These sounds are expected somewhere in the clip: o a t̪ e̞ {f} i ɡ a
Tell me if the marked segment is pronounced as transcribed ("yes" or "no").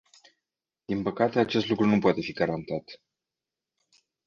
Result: yes